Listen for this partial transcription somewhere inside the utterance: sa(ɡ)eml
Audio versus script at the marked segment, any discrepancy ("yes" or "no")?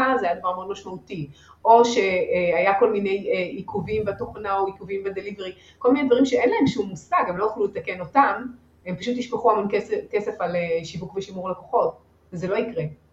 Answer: no